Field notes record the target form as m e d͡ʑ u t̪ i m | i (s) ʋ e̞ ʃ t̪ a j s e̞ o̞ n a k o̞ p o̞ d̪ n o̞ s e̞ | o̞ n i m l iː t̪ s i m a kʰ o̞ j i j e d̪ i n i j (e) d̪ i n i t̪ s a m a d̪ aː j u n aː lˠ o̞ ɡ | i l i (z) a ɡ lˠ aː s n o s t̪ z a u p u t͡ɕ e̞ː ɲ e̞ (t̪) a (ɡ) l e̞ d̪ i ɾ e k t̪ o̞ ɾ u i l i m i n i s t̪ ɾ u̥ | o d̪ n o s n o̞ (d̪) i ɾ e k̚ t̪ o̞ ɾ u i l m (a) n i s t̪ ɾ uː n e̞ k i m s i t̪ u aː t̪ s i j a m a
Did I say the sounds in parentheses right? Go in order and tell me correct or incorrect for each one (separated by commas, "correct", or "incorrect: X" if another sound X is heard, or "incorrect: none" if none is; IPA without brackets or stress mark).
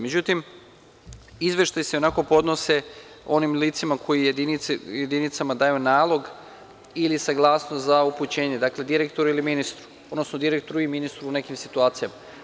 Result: incorrect: z, correct, incorrect: s, incorrect: d̪, incorrect: k, correct, incorrect: i